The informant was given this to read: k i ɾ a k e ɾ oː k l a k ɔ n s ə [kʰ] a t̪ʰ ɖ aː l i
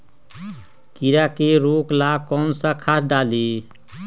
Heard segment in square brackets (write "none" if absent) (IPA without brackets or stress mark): kʰ